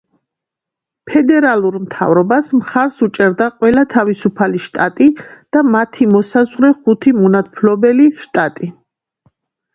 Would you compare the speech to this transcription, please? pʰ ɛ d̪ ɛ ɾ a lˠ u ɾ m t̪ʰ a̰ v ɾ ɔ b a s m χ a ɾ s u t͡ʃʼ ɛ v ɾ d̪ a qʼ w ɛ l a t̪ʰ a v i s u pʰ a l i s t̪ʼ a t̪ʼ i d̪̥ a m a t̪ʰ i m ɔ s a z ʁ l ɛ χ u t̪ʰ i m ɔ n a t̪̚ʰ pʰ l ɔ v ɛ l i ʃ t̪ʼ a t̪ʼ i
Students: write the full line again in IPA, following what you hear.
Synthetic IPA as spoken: pʰ ɛ d̪ ɛ ɾ a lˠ u ɾ m t̪ʰ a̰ v ɾ ɔ b a s m χ a ɾ s u t͡ʃʼ ɛ ɾ d̪ a qʼ w ɛ l a t̪ʰ a v i s u pʰ a l i ʃ t̪ʼ a t̪ʼ i d̪̥ a m a t̪ʰ i m ɔ s a z ʁ ɾ ɛ χ u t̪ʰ i m ɔ n a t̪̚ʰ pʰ l ɔ b ɛ l i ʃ t̪ʼ a t̪ʼ i